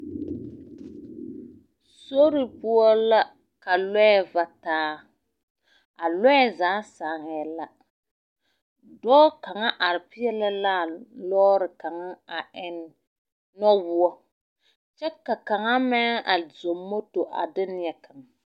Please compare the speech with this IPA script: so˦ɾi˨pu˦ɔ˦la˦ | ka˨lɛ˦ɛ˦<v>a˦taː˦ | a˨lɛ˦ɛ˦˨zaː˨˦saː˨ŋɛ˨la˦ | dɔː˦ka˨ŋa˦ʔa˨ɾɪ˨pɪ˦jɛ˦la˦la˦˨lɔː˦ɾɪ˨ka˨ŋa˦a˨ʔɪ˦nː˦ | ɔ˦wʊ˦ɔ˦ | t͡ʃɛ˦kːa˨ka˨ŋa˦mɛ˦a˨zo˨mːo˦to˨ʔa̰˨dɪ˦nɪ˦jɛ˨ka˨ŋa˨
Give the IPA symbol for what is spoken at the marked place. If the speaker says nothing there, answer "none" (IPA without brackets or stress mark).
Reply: v